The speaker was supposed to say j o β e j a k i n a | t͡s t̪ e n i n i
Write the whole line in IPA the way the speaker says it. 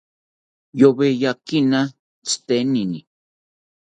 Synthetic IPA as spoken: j o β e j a k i n a | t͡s t̪ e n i n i